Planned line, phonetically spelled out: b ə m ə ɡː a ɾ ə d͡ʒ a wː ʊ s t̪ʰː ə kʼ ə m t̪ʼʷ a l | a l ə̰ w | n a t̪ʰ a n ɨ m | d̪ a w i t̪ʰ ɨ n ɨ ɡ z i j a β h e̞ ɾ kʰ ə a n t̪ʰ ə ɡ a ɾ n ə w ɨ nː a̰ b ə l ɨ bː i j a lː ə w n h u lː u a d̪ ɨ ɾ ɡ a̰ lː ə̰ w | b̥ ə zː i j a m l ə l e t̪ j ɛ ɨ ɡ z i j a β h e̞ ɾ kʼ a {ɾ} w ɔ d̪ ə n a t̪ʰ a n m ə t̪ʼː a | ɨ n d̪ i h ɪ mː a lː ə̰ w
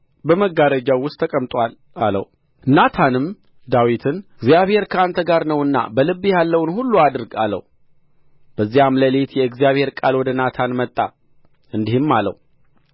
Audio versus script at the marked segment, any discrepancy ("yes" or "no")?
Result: yes